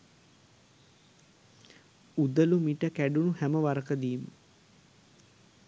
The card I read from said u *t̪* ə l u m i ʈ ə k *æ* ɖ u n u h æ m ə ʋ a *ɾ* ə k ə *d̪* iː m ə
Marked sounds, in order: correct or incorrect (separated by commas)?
incorrect, correct, correct, correct